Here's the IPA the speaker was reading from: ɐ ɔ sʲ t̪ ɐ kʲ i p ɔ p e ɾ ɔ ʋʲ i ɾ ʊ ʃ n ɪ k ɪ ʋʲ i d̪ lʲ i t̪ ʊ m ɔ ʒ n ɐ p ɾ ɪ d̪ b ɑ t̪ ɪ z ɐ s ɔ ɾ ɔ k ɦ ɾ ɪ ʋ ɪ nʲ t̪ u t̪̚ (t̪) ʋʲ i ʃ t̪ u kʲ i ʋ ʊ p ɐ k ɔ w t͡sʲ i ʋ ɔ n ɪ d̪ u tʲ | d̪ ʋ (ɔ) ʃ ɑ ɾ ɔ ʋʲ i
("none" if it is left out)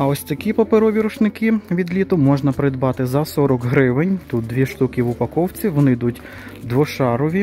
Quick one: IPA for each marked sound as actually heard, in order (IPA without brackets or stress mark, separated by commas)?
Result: d̪, ɔ